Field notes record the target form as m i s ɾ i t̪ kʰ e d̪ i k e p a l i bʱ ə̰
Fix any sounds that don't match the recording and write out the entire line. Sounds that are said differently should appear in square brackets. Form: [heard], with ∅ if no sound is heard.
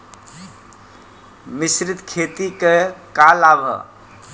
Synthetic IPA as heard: m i s ɾ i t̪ kʰ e [t̪] i k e [k] a l [a] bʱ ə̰